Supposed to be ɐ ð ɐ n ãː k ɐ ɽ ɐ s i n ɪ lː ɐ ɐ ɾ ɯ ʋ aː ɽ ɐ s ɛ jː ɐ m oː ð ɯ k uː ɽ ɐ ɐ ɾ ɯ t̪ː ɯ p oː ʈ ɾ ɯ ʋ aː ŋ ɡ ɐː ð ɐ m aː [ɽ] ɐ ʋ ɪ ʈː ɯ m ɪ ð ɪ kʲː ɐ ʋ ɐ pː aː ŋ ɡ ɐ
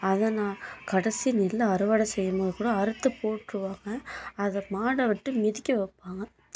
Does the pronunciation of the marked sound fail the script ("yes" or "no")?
no